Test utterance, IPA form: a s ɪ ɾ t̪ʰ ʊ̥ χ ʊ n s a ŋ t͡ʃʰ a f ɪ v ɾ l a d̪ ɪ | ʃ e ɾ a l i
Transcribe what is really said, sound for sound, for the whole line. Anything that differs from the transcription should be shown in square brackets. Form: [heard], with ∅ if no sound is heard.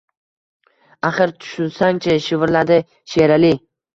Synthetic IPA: a [χ] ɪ ɾ t̪ʰ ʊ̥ [ʃ] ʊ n s a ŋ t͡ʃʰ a [ʃ] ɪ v ɾ l a d̪ ɪ | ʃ e ɾ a l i